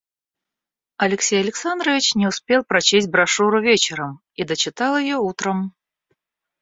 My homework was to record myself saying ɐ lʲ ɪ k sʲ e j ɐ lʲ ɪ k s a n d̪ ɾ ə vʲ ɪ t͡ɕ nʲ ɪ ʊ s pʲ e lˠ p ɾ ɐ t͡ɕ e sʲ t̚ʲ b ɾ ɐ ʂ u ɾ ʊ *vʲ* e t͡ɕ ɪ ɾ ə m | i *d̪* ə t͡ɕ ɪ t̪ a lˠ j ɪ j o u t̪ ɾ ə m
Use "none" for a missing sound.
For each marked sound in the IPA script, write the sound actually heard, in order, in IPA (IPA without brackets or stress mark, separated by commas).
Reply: vʲ, d̪